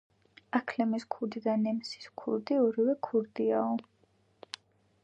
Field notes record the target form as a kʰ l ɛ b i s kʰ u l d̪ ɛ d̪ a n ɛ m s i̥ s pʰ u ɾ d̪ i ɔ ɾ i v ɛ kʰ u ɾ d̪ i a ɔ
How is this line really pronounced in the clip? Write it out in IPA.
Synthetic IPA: a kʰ l ɛ m i s kʰ u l d̪ i d̪ a n ɛ m s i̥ s kʰ u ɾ d̪ i ɔ ɾ i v ɛ kʰ u ɾ d̪ i a ɔ